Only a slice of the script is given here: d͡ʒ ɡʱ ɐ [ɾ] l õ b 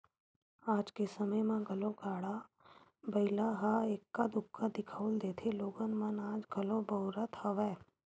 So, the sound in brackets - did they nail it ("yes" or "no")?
no